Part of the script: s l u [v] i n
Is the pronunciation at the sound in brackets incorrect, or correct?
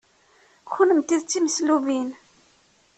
correct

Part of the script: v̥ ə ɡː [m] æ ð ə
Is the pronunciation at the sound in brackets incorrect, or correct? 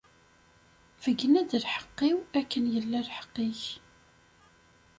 incorrect: n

